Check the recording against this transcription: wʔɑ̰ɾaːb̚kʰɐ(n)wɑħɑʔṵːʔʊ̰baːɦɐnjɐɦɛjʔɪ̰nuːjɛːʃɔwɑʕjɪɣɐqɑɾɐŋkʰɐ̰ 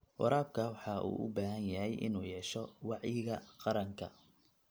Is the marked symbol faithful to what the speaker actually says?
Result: no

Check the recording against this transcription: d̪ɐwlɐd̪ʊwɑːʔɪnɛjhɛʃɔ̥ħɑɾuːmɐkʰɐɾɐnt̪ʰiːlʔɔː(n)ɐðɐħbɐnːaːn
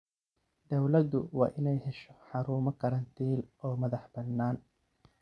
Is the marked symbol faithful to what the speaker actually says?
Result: no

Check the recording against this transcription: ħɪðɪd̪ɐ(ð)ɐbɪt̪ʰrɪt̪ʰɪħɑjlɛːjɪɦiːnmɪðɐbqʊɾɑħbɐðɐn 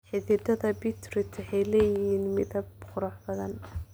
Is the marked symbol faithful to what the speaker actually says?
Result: yes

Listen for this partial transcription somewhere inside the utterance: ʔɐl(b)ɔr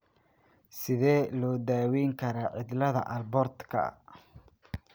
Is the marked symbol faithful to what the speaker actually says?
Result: yes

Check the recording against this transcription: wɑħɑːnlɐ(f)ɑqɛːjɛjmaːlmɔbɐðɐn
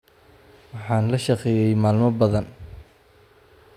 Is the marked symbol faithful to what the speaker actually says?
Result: no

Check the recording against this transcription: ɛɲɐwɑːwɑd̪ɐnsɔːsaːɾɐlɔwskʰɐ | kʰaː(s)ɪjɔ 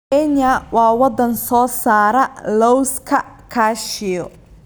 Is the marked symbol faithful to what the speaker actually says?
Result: no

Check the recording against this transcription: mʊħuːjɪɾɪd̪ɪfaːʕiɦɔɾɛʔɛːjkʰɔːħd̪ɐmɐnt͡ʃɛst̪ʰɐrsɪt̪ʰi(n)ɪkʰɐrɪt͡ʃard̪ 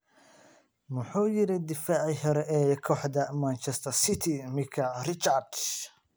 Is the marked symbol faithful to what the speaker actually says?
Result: no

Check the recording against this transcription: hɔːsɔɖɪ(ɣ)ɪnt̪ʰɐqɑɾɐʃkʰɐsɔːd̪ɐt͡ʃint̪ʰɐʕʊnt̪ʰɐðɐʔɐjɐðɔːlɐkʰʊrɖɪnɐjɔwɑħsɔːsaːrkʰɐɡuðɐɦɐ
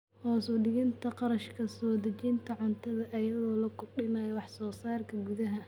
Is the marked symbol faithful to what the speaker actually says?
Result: yes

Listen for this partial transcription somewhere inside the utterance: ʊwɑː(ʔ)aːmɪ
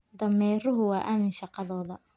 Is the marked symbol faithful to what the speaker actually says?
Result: yes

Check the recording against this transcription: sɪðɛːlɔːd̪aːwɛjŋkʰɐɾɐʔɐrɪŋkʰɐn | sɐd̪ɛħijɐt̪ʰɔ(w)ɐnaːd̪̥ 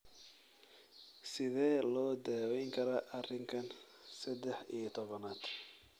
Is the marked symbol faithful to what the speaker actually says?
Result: no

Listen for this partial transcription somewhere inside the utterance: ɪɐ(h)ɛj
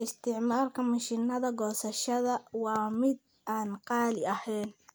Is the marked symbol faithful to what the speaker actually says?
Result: yes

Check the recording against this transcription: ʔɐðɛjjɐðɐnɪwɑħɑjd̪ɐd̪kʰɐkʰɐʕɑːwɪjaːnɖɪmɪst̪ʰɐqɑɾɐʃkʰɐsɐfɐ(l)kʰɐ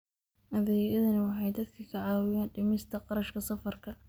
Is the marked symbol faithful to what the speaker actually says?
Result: no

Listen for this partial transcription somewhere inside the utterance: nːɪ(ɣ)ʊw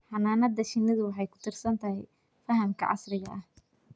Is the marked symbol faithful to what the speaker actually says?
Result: no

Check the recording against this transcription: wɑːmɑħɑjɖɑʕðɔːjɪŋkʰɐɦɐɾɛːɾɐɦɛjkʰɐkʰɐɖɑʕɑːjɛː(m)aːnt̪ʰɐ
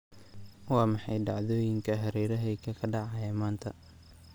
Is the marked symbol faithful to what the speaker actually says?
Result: yes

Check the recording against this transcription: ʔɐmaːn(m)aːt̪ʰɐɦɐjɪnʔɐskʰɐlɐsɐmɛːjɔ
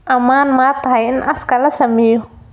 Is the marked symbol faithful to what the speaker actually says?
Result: yes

